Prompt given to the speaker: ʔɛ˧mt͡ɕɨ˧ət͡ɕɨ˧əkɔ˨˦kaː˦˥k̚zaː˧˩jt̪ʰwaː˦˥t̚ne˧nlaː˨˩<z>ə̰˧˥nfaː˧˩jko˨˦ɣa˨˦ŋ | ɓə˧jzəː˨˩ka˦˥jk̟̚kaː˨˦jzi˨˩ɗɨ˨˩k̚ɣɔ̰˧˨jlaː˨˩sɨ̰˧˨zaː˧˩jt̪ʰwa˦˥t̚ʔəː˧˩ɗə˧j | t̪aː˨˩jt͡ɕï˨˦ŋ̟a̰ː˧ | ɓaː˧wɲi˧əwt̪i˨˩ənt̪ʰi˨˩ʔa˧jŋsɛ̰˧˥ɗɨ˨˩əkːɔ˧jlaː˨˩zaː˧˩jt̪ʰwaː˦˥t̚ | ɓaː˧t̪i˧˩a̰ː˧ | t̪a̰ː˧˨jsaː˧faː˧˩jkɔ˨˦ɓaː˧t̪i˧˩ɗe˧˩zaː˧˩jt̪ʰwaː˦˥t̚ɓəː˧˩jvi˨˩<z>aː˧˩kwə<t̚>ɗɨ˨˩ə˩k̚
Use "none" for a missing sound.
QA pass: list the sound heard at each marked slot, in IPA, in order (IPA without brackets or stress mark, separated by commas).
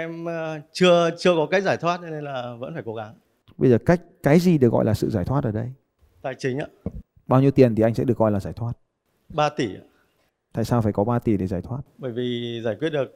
v, z, t̚